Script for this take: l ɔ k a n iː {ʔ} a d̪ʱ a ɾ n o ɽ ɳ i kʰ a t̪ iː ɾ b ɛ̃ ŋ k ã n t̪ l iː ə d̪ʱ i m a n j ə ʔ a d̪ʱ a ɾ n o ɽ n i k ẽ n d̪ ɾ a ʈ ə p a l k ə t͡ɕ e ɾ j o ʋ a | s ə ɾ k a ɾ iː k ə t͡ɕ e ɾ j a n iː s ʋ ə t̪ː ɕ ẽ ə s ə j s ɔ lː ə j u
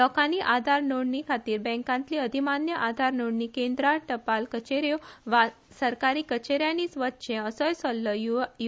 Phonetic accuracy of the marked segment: correct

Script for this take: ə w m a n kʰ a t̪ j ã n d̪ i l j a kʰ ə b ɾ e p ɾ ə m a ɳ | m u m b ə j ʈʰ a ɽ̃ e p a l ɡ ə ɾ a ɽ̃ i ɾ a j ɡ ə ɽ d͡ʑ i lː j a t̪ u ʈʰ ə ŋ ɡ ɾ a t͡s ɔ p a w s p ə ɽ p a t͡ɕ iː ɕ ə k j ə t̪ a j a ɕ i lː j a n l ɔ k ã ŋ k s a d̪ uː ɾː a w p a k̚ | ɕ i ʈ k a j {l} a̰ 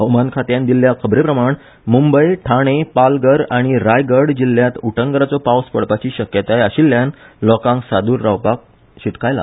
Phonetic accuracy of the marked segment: correct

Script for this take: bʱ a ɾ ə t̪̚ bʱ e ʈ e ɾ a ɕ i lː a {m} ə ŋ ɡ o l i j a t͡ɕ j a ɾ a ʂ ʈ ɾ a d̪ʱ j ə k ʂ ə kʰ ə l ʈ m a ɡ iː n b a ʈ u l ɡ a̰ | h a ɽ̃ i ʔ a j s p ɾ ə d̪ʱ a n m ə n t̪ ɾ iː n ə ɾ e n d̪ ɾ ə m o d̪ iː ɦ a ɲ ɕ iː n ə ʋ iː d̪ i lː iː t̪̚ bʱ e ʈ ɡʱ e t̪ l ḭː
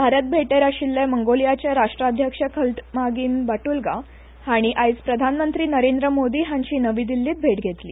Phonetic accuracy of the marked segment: correct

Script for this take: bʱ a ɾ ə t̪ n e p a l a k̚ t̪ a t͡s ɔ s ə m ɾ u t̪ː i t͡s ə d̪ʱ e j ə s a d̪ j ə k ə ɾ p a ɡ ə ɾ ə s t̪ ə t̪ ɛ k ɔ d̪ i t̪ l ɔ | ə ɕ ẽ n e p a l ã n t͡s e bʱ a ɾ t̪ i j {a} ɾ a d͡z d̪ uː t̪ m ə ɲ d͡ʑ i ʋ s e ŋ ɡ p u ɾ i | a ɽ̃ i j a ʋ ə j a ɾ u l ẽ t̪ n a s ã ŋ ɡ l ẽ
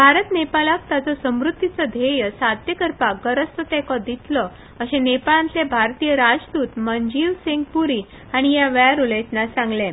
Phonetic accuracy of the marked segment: incorrect: ə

